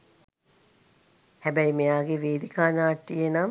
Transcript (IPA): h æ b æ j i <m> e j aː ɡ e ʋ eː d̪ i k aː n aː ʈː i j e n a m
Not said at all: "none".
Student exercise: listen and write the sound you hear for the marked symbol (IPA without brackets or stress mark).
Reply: m